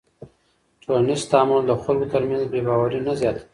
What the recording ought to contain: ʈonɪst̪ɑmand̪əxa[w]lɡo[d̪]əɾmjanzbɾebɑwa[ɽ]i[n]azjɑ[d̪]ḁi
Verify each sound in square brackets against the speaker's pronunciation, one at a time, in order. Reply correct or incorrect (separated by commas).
incorrect, incorrect, incorrect, correct, incorrect